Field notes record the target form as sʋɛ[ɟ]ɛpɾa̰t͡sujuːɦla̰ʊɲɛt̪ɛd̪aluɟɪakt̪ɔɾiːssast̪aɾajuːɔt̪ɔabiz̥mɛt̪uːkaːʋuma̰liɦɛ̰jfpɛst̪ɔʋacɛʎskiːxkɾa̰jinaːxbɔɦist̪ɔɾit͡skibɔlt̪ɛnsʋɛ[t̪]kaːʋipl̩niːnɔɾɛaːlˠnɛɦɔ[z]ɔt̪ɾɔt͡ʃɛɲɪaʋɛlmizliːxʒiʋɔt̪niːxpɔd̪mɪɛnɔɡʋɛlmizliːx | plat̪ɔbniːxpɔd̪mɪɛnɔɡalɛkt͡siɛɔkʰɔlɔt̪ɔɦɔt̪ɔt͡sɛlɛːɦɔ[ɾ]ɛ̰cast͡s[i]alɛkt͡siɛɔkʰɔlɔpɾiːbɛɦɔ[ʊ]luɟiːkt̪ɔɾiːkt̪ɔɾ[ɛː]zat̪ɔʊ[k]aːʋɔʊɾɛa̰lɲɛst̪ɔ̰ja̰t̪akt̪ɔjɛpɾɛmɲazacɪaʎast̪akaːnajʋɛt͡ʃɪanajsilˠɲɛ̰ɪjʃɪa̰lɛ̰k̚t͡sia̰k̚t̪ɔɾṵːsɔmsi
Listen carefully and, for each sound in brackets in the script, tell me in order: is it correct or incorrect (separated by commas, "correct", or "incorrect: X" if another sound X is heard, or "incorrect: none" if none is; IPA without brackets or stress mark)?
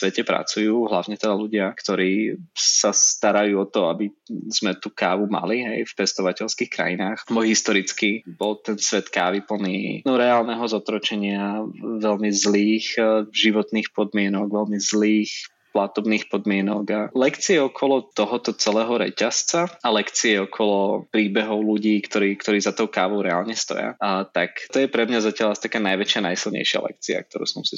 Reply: incorrect: c, correct, correct, correct, incorrect: a, correct, incorrect: iː, correct